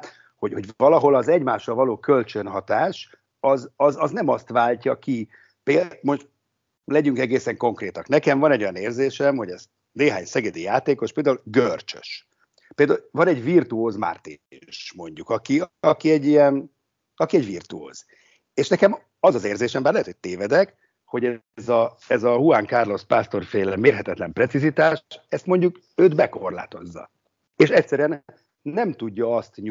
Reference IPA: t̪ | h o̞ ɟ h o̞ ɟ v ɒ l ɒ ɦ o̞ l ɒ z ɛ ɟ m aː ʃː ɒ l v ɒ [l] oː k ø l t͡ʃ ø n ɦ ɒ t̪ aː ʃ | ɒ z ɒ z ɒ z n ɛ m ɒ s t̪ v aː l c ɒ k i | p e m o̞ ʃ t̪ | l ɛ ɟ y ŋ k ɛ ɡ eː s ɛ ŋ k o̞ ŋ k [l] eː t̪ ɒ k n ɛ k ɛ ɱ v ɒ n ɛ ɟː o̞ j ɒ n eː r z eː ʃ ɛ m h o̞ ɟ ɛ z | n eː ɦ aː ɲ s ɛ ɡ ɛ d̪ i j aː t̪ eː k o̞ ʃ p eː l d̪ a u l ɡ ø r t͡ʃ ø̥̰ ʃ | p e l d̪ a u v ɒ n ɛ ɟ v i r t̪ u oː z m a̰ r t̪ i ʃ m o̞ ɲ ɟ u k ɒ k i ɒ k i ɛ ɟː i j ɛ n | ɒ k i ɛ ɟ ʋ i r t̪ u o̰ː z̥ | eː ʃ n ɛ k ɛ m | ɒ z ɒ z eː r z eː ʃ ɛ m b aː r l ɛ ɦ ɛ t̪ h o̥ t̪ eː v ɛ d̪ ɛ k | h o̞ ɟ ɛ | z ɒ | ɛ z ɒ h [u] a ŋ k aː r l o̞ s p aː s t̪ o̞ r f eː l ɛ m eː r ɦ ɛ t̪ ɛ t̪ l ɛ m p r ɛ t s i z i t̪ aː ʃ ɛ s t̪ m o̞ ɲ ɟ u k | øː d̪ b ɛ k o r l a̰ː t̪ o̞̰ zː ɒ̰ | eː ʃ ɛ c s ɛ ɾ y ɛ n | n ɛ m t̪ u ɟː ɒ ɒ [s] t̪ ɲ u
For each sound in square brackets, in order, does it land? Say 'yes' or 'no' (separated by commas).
yes, no, yes, yes